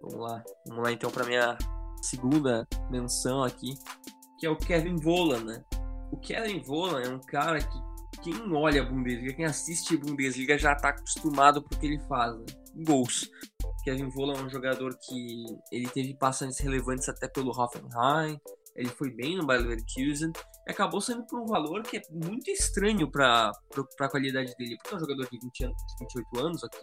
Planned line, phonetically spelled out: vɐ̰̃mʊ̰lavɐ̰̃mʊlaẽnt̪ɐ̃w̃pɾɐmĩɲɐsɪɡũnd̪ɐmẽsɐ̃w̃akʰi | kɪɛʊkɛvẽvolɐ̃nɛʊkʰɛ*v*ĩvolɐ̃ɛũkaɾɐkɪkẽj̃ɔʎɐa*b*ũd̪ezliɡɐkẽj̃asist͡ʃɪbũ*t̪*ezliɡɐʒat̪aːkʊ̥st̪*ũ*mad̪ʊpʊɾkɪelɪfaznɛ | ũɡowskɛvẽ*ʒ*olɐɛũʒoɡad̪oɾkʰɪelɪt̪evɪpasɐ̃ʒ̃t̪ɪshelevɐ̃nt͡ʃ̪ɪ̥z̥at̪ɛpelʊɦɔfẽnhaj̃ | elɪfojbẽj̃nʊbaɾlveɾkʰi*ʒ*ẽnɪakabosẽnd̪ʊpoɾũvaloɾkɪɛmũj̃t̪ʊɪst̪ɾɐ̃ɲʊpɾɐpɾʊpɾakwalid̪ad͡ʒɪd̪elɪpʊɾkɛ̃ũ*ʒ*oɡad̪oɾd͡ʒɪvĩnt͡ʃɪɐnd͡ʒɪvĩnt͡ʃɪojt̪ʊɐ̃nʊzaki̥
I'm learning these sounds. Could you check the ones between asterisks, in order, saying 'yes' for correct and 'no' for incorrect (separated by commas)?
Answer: yes, yes, no, no, no, no, yes